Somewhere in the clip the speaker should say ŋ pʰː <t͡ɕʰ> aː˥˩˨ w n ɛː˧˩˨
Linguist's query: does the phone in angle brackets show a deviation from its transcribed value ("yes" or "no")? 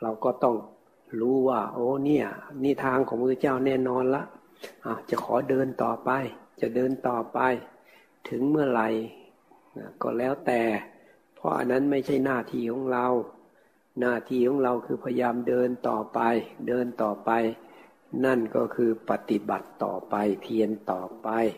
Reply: yes